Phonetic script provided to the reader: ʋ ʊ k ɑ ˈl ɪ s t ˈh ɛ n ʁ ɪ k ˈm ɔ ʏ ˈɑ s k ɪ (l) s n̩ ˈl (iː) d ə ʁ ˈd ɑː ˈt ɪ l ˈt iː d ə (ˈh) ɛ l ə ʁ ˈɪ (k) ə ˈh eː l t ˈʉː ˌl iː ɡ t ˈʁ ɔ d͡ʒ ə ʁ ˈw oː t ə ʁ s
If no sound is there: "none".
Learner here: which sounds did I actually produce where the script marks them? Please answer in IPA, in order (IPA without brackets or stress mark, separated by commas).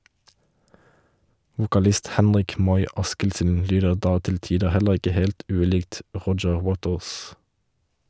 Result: l, yː, h, k